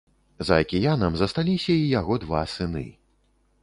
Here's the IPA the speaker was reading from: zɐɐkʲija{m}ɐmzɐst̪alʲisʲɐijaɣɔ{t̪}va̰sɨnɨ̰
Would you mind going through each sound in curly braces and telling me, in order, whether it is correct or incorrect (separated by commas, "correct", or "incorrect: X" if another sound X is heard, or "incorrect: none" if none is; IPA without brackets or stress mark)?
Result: incorrect: n, incorrect: d̪